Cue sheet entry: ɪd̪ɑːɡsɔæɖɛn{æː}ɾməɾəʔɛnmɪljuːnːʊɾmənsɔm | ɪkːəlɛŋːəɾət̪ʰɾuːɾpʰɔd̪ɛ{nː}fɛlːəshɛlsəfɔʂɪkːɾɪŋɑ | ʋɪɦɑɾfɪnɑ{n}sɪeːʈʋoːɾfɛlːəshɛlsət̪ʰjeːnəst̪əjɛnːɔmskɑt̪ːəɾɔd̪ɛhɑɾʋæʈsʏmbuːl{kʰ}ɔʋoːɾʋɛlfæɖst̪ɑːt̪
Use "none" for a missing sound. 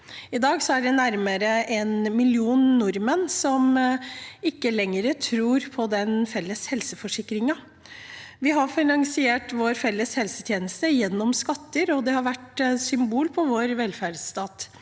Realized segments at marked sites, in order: æ, n, ŋ, pʰ

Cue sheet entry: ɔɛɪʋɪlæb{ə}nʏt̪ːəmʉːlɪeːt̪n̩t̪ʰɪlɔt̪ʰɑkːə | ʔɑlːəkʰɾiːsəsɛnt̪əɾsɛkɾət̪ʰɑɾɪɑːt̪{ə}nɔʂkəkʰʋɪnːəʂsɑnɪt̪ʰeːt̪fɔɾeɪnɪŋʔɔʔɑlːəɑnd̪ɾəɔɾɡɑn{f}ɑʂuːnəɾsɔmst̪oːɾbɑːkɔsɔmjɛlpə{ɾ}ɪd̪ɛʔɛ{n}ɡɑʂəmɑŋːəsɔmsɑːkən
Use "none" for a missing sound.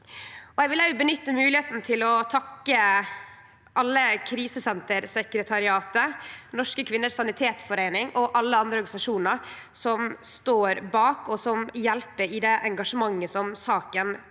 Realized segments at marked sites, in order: ə, ə, s, ɾ, ŋ

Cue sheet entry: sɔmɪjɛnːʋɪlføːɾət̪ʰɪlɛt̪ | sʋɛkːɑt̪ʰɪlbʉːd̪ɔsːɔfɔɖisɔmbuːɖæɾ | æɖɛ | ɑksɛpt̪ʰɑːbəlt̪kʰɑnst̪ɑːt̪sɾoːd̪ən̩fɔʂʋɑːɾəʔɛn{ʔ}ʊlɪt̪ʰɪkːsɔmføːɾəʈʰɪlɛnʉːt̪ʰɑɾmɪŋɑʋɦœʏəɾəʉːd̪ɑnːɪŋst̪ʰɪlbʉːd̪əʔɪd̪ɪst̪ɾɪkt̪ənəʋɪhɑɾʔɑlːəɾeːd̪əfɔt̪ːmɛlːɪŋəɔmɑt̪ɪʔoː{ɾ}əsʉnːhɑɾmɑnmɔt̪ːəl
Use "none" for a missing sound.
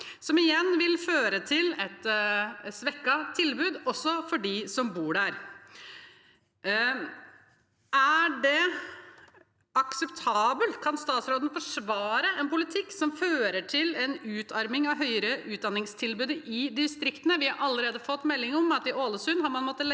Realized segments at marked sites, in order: p, l

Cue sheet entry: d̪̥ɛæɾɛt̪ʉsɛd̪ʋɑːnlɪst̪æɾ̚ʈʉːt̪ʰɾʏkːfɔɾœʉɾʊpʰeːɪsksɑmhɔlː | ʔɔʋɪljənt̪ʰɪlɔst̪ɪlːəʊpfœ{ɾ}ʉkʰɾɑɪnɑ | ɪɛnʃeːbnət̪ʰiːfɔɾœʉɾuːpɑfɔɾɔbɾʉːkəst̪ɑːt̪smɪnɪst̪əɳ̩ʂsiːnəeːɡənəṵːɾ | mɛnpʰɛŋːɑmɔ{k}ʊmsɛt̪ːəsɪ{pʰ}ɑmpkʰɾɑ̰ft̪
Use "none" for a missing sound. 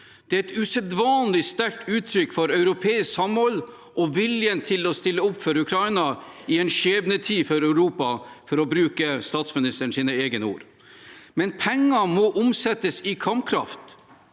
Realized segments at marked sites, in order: ɾ, ʔ, kʰ

